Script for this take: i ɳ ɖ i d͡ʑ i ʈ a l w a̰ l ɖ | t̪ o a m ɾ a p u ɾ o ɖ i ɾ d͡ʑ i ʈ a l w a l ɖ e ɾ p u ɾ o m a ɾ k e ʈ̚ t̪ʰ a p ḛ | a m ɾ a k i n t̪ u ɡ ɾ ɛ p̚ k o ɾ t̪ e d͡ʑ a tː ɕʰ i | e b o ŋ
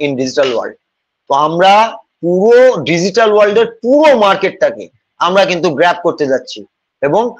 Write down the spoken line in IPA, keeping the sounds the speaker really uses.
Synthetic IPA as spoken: i n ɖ i d͡ʑ i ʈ a l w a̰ l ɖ | t̪ o a m ɾ a p u ɾ o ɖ i d͡ʑ i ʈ a l w a l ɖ e ɾ p u ɾ o m a ɾ k e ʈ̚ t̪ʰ a k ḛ | a m ɾ a k i n t̪ u ɡ ɾ ɛ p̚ k o ɾ t̪ e d͡ʑ a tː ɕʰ i | e b o ŋ